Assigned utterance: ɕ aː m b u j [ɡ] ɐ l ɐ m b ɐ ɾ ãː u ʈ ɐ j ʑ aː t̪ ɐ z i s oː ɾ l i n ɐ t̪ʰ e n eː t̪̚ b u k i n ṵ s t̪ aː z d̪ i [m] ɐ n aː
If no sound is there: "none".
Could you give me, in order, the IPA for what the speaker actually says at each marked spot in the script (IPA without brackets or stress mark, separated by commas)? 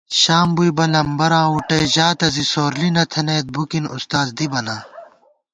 b, b